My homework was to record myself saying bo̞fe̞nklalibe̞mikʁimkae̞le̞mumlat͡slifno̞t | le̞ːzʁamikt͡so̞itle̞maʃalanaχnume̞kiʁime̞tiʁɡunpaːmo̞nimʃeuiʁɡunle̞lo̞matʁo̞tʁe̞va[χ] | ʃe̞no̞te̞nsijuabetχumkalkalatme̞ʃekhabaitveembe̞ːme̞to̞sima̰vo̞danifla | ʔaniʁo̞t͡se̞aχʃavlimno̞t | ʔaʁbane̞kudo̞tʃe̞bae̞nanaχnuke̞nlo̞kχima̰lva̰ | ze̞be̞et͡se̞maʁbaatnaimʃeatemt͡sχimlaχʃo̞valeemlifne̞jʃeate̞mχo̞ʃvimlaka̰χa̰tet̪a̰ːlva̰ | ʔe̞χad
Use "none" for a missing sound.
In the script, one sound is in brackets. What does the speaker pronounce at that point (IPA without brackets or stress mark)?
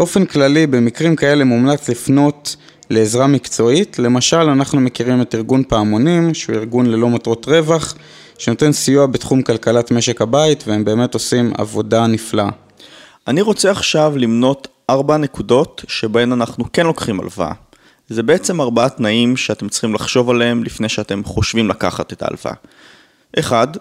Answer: χ